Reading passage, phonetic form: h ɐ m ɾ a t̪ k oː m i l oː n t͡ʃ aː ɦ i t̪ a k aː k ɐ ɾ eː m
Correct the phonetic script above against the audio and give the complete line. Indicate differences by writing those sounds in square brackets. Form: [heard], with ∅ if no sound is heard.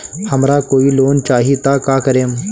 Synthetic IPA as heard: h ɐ m ɾ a [∅] k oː [∅] i l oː n t͡ʃ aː ɦ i t̪ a k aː k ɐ ɾ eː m